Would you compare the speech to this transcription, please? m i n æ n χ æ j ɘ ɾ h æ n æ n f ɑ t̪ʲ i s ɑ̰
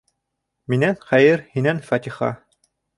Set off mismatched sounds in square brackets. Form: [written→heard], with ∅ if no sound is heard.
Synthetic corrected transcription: m i n æ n χ æ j ɘ ɾ h [æ→i] n æ n f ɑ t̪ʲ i [s→χ] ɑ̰

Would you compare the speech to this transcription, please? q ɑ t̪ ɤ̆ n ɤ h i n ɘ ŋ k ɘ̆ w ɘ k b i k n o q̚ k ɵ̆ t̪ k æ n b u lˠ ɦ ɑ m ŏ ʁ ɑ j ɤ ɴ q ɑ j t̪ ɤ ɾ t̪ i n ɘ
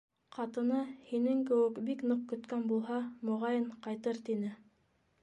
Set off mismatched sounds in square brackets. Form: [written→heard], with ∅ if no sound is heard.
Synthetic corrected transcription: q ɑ t̪ ɤ̆ n ɤ h i n ɘ ŋ k ɘ̆ w ɘ k b i k n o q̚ k ɵ̆ t̪ k æ n b u lˠ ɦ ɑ m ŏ ʁ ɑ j ɤ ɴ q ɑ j t̪ ɤ ɾ t̪ i n ɘ

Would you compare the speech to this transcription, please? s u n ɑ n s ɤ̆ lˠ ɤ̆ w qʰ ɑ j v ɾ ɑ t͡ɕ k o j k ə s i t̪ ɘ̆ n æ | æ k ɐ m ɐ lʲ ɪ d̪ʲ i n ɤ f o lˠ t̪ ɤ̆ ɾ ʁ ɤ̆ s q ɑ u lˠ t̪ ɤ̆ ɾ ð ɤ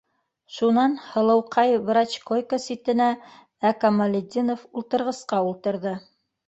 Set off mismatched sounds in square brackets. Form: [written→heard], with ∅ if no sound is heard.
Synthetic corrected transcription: [s→ʃ] u n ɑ n [s→h] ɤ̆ lˠ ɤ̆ w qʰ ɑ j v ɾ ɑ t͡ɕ k o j k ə s i t̪ ɘ̆ n æ | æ k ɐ m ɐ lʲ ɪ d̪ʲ i n [ɤ→o] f [o→u] lˠ t̪ ɤ̆ ɾ ʁ ɤ̆ s q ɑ u lˠ t̪ ɤ̆ ɾ ð ɤ

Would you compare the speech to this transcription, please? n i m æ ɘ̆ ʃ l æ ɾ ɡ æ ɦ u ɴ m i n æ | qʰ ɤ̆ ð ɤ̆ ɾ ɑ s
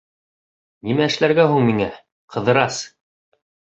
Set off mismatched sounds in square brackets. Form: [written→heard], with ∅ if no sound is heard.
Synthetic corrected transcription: n i m æ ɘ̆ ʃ l æ ɾ ɡ æ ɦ u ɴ m i [n→ŋ] æ | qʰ ɤ̆ ð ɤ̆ ɾ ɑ s

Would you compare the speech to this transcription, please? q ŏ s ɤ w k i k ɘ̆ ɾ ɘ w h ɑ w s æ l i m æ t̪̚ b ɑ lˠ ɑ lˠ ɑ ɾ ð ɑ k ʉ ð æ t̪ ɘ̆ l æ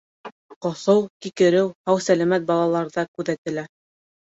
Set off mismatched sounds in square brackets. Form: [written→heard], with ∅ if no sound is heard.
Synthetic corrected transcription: q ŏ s ɤ w k i k ɘ̆ ɾ ɘ w h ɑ w s æ l [i→æ] m æ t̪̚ b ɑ lˠ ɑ lˠ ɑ ɾ ð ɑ k ʉ ð æ t̪ ɘ̆ l æ

